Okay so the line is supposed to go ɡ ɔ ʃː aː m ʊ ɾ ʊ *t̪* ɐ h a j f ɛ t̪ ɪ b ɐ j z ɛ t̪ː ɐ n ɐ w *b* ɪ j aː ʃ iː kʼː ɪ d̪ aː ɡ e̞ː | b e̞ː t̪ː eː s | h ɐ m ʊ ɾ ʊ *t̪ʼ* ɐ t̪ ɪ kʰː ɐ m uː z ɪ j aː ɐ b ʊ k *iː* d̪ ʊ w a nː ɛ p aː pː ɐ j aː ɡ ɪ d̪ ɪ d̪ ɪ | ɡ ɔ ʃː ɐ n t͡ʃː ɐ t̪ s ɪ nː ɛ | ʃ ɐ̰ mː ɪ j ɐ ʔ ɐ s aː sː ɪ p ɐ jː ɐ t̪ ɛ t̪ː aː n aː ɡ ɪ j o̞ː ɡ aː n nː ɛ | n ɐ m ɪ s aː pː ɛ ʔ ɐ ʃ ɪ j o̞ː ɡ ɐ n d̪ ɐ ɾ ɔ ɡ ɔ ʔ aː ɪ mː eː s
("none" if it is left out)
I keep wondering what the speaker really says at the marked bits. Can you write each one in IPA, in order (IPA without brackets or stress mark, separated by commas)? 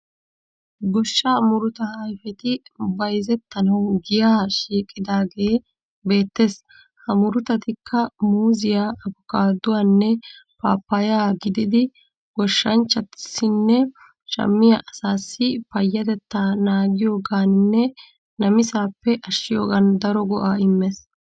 t̪, ɡ, t̪, aː